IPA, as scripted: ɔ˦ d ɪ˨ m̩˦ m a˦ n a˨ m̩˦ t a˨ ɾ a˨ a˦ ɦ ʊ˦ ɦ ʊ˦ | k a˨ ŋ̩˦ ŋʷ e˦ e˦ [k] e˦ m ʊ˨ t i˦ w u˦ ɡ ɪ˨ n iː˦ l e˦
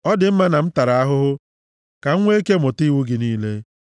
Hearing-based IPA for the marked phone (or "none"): k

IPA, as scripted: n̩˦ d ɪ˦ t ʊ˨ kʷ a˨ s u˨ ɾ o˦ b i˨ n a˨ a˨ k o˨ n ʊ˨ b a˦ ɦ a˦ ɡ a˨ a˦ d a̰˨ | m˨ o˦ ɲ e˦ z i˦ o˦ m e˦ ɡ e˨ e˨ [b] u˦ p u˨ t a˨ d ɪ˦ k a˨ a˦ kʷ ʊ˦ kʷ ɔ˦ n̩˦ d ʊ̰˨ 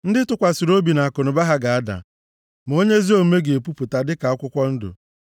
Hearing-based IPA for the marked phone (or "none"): p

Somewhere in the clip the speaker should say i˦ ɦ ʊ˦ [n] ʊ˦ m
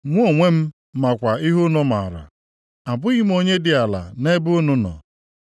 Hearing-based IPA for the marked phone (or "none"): n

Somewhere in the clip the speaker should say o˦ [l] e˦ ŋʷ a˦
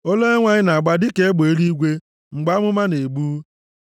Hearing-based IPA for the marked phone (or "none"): l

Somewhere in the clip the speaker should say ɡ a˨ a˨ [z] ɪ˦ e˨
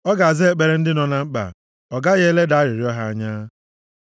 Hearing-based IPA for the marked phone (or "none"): z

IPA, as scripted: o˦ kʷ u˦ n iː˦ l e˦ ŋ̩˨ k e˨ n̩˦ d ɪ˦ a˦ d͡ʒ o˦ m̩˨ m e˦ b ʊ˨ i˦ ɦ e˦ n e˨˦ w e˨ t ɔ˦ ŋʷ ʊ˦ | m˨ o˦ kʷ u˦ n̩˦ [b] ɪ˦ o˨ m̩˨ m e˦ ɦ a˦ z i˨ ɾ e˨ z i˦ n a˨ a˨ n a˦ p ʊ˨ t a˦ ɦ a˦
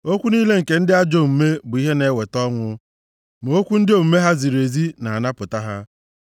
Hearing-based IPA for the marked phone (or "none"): d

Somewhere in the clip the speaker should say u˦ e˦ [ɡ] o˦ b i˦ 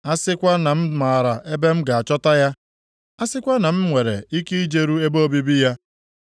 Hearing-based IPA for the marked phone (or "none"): b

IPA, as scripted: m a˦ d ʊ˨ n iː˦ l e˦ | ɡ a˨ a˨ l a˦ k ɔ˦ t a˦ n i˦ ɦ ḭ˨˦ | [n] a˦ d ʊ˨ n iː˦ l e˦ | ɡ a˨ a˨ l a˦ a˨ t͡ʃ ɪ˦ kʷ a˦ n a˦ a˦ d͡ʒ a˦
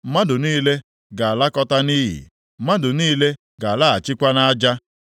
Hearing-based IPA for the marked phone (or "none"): m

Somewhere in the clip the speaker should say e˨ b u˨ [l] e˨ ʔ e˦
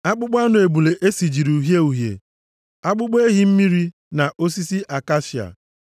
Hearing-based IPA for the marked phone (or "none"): l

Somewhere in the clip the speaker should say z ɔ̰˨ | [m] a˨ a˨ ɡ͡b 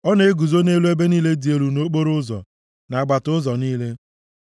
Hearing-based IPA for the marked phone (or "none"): n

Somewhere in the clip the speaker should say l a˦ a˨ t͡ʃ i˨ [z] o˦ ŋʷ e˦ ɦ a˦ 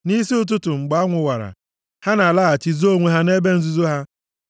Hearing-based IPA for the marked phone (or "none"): z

